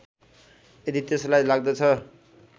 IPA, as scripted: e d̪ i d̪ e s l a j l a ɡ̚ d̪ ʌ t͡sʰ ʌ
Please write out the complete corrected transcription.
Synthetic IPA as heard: e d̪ i t̪ e s l a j l a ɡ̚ d̪ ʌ t͡sʰ ʌ